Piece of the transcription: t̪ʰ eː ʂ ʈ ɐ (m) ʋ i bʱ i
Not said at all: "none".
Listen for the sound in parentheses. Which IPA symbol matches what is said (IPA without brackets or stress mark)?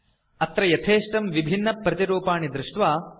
m